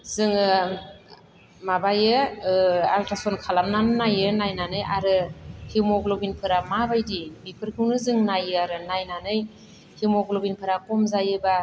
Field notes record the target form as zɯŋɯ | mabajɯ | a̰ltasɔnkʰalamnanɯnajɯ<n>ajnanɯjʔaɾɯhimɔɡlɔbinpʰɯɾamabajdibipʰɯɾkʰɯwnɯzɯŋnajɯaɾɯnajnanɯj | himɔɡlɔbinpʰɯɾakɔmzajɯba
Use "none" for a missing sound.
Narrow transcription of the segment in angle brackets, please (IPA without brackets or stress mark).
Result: n